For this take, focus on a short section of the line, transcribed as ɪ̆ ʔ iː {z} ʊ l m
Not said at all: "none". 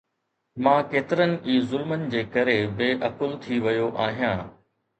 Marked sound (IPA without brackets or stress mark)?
z